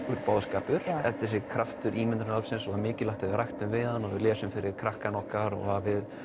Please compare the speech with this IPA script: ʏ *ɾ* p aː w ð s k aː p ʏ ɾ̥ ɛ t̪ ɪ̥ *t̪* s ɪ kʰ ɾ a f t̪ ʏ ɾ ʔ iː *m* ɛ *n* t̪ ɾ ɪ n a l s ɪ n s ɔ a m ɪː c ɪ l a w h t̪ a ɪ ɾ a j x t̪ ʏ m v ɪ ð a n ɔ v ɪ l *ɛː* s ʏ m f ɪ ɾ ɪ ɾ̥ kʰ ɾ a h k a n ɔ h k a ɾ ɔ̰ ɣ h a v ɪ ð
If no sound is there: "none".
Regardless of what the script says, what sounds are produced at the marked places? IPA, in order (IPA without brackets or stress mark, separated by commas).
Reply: ɾ, none, m, n, ɛː